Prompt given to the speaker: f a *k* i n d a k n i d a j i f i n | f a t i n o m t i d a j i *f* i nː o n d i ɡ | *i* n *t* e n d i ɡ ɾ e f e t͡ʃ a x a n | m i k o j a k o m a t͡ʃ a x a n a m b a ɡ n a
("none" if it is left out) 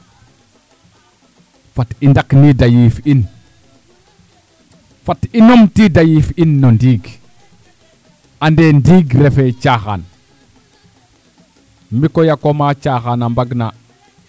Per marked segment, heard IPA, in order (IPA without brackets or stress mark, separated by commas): t, f, a, d